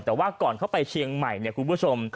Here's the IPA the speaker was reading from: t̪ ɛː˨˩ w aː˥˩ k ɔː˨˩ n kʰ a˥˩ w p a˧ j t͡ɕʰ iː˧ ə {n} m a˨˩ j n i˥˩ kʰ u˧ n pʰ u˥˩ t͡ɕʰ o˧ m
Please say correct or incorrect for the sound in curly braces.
incorrect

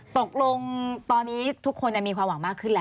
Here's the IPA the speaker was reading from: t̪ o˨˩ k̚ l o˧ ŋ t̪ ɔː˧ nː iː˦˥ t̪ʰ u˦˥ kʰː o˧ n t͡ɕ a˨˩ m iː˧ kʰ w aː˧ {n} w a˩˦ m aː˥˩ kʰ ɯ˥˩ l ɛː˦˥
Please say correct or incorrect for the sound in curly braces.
incorrect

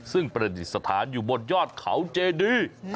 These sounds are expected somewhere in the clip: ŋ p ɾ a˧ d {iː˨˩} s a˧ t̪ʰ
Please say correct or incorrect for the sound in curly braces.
incorrect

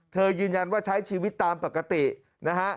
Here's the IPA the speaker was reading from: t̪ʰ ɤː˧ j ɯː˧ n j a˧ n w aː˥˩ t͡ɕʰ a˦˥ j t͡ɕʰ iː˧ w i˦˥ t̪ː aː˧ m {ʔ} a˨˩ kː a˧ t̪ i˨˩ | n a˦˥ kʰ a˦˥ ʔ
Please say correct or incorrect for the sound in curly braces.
incorrect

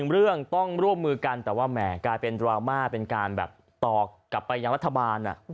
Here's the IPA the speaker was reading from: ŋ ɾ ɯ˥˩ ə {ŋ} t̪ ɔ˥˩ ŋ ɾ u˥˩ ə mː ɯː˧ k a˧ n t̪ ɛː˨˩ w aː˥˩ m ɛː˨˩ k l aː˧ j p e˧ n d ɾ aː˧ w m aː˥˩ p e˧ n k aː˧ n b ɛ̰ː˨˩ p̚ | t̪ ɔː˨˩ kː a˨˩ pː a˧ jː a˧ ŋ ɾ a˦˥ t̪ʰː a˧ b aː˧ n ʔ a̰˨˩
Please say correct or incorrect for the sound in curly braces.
correct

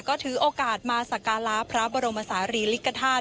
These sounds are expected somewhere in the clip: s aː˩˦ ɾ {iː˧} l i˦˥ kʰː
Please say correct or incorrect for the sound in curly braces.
correct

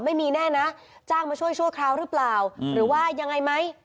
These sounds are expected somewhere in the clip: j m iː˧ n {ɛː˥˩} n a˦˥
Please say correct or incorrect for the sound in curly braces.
correct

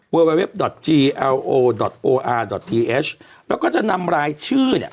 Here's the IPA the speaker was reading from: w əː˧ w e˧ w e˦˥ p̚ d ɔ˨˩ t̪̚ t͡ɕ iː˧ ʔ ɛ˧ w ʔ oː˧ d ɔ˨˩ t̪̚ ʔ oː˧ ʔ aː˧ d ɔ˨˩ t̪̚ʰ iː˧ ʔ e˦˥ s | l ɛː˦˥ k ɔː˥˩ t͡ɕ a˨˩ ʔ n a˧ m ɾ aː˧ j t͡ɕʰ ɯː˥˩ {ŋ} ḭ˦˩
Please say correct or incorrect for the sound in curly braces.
incorrect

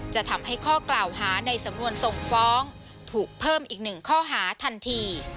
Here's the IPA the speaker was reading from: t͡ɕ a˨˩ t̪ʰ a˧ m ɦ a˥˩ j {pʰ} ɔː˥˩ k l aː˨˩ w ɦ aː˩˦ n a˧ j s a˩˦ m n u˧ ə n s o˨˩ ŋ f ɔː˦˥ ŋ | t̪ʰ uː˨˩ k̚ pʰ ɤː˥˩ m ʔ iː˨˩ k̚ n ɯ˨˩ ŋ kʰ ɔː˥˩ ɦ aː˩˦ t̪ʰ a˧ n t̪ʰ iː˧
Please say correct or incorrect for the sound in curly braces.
incorrect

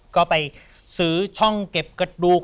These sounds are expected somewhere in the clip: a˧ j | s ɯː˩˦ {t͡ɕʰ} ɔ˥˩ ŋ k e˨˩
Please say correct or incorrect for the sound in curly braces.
correct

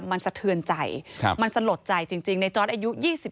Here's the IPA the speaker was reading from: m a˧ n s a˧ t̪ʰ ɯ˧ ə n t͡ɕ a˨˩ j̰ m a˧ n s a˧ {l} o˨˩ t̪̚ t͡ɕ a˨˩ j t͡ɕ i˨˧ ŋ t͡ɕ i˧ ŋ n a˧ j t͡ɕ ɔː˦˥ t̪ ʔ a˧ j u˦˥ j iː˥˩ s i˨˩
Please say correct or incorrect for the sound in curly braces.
correct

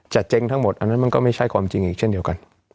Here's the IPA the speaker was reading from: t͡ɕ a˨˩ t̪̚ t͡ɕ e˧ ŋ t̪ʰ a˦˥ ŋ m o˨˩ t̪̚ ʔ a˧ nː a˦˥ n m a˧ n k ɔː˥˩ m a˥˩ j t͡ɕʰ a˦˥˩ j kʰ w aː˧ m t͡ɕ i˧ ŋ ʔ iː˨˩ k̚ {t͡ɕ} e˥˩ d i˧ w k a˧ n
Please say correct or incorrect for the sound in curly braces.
incorrect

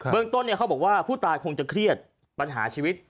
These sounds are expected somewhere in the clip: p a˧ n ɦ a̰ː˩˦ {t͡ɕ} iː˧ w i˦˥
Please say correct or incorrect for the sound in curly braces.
incorrect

